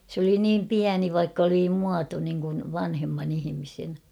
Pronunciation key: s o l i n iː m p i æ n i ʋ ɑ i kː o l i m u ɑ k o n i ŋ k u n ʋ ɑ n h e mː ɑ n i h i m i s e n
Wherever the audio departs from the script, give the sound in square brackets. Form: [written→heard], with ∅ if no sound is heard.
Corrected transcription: s o l i n iː m p i æ n i ʋ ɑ i kː o l i m u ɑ [k→t] o n i ŋ k u n ʋ ɑ n h e mː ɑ n i h i m i s e n